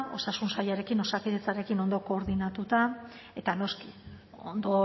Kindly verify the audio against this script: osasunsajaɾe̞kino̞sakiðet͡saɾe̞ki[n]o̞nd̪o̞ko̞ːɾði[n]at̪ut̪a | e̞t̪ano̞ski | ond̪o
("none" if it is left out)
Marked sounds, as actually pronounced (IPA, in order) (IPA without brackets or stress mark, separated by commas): n, n